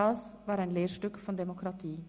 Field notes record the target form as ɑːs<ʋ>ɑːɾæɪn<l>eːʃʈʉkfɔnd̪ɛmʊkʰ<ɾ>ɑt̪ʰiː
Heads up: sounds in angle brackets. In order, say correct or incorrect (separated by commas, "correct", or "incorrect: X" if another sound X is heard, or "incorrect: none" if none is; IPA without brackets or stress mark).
correct, correct, correct